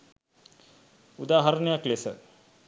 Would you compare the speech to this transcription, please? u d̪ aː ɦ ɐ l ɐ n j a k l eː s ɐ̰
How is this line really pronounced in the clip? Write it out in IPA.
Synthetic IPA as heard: u d̪ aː ɦ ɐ ɾ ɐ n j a k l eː s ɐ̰